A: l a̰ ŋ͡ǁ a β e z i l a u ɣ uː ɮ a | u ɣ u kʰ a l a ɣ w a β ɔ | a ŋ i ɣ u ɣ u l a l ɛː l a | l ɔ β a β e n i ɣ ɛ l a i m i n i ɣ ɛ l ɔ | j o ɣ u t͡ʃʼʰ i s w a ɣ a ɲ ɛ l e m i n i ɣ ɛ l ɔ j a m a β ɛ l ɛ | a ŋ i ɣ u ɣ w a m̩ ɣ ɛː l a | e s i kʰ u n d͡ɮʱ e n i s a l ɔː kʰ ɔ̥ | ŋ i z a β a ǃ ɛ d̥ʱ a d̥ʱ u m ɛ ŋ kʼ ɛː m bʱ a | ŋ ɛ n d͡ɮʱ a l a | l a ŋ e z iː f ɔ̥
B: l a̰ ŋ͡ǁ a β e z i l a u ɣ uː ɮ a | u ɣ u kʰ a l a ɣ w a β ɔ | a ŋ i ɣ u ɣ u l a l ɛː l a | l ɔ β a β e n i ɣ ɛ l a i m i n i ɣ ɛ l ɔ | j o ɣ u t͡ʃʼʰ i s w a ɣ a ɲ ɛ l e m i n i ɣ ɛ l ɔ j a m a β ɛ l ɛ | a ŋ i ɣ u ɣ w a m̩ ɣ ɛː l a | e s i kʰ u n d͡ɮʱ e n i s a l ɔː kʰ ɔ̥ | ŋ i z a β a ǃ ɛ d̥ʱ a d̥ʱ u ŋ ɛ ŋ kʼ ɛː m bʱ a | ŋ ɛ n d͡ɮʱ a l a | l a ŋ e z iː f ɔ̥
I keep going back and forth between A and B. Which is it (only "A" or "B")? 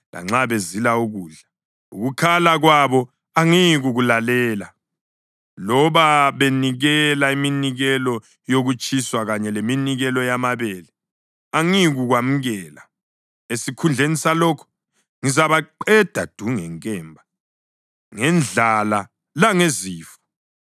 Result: B